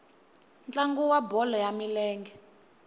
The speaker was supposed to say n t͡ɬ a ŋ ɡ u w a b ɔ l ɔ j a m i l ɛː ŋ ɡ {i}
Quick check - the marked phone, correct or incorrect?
incorrect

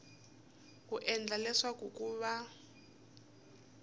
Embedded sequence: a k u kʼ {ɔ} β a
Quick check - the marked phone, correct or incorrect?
incorrect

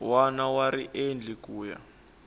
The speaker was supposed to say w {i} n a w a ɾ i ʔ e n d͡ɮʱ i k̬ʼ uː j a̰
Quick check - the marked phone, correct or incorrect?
incorrect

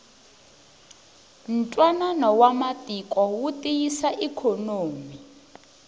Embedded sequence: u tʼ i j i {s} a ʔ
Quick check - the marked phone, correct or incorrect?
correct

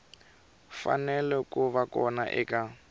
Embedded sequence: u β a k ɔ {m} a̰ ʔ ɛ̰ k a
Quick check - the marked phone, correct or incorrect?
incorrect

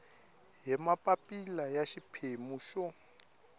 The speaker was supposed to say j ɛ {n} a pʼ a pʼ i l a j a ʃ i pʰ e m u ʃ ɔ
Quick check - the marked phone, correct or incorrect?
incorrect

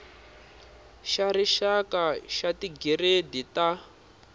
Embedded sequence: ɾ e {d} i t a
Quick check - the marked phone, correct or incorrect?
correct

